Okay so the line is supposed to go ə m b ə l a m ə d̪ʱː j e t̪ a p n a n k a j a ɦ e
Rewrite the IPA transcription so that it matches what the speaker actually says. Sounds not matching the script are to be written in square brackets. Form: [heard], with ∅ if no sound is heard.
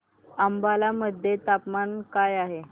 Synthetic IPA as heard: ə m b [a] l a m ə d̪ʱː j e t̪ a p [m] a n k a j a ɦ e